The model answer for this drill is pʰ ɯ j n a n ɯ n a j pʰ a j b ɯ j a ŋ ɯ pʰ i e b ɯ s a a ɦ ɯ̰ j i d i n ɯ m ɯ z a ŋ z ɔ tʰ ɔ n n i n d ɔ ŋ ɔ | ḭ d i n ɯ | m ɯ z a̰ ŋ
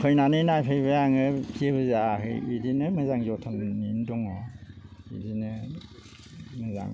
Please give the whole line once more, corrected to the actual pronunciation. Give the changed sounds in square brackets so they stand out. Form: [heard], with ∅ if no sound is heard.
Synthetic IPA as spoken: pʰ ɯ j n a n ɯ n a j pʰ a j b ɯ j a ŋ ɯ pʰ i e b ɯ [z] a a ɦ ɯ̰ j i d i n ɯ m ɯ z a ŋ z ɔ tʰ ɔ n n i n d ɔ ŋ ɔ | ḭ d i n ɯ | m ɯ z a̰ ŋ